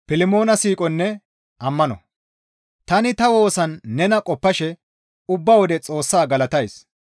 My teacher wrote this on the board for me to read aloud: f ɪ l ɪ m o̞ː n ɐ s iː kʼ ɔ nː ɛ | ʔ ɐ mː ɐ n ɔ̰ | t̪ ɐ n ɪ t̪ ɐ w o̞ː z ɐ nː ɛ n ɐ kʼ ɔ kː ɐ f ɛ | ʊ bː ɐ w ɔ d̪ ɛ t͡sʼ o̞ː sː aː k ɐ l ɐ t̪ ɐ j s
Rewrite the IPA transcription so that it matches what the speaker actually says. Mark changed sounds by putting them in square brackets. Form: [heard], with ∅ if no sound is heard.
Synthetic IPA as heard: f ɪ l ɪ m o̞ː n ɐ s iː kʼ ɔ nː ɛ | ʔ ɐ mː ɐ n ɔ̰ | t̪ ɐ n ɪ t̪ ɐ w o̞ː [s] ɐ nː ɛ n ɐ kʼ ɔ [pː] ɐ [ʃ] ɛ | ʊ bː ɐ w ɔ d̪ ɛ t͡sʼ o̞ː sː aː [ɡ] ɐ l ɐ t̪ ɐ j s